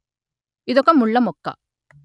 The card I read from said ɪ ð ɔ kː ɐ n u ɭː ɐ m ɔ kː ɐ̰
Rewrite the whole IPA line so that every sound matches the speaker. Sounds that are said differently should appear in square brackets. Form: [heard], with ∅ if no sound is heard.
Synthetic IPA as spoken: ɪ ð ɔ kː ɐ [m] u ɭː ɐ m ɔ kː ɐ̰